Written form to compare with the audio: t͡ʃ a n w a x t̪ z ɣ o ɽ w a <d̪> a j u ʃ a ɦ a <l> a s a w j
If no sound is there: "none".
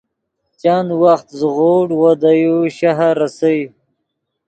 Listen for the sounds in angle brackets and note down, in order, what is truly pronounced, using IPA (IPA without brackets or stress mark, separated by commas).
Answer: d̪, ɾ